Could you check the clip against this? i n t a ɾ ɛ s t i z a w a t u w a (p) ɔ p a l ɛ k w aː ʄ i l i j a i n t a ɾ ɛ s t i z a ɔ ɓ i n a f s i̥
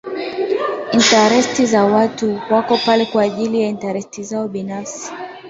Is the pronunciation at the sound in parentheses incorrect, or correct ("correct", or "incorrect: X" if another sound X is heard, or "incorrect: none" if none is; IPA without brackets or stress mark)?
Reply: incorrect: k